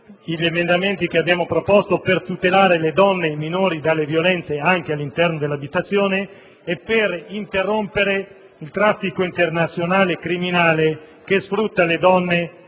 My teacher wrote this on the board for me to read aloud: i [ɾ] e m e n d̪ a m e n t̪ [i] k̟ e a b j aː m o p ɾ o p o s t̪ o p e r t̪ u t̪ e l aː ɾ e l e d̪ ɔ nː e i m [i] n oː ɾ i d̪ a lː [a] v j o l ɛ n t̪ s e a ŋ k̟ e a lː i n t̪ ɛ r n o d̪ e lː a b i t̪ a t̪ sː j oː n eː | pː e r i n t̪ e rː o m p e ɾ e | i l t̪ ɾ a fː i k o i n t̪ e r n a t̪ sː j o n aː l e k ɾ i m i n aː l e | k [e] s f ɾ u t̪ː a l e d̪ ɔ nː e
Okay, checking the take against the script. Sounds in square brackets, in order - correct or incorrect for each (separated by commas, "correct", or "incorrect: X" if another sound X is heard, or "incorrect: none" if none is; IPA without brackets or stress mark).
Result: incorrect: ʎ, correct, correct, incorrect: e, correct